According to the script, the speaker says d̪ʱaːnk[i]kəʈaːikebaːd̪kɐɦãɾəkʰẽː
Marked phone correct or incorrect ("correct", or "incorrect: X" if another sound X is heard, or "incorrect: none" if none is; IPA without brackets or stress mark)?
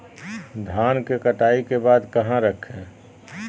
incorrect: e